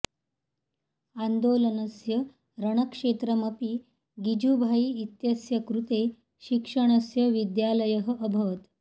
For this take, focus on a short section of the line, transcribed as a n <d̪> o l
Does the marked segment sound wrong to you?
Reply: no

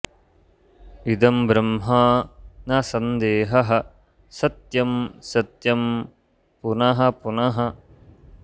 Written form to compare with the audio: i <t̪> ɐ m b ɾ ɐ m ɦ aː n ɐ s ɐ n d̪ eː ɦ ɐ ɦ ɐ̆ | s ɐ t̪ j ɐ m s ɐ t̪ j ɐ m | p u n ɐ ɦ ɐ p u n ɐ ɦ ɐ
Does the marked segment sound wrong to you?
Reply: yes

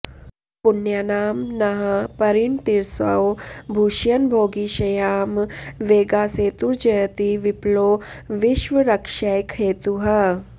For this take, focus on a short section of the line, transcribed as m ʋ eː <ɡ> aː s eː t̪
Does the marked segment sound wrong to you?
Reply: no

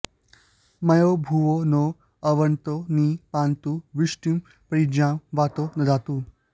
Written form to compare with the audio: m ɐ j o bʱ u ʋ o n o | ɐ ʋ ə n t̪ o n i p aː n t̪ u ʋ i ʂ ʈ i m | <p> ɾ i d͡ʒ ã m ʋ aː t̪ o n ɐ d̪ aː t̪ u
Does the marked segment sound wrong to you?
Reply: no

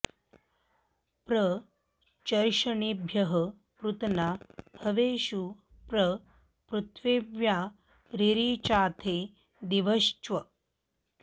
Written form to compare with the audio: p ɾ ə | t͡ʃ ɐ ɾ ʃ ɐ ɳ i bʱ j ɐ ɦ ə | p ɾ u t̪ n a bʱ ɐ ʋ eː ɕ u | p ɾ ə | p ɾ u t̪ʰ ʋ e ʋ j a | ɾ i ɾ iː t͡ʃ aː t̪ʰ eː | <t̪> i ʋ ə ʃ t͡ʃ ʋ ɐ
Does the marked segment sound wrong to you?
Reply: yes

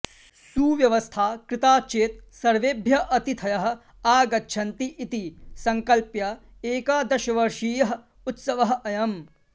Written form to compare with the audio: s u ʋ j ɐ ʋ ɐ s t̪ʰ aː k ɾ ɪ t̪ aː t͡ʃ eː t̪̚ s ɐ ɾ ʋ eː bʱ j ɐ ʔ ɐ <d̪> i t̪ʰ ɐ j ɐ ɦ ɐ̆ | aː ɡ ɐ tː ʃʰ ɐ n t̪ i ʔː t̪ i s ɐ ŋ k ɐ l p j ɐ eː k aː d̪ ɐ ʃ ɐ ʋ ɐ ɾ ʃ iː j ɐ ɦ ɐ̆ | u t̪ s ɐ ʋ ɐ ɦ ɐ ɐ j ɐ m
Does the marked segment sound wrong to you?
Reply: yes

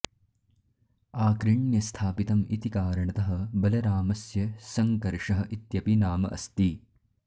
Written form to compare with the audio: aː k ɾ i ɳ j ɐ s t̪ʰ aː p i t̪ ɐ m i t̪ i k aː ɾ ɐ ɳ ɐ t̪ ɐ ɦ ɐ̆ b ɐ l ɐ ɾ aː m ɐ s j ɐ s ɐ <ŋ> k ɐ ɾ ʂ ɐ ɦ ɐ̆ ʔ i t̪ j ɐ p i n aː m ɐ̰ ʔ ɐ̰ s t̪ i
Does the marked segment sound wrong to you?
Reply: no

